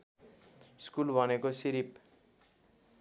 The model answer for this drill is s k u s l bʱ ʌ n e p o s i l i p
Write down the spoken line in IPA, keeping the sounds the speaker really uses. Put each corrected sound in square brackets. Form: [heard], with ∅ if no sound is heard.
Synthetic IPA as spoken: s k u [∅] l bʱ ʌ n e [k] o s i [ɾ] i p

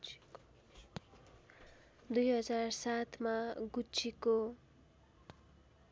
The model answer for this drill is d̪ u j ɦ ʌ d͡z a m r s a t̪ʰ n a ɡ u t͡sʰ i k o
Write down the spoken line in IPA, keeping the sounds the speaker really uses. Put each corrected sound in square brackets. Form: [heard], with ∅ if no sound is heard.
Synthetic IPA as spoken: d̪ u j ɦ ʌ d͡z a [∅] r s a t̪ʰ [m] a ɡ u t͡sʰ i k o

